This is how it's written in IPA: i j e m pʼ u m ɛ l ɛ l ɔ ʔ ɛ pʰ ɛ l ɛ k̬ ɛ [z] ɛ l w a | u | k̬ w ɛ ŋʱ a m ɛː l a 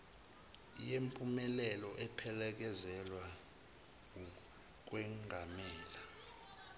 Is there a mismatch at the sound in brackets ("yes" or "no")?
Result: no